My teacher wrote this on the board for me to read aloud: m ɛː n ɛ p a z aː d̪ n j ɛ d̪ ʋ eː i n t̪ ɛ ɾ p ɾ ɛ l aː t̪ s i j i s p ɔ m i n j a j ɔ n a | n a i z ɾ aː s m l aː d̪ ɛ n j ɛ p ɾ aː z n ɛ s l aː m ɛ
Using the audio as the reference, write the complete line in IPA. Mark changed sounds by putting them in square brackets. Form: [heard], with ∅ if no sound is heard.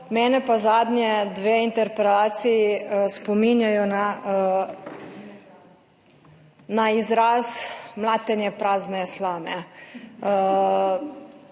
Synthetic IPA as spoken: m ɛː n ɛ p a z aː d̪ n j ɛ d̪ ʋ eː i n t̪ ɛ ɾ p ɾ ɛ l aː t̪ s i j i s p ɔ m i n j a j ɔ n a | n a i z ɾ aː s m l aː [t̪] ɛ n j ɛ p ɾ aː z n ɛ s l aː m ɛ